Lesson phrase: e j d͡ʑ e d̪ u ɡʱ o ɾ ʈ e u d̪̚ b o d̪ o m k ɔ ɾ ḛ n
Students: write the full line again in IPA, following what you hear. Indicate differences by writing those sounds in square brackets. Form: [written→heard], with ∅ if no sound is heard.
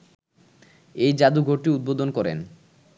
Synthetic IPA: e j d͡ʑ [e→a] d̪ u ɡʱ o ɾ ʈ [e→i] u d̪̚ b o d̪ o [m→n] k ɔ ɾ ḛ n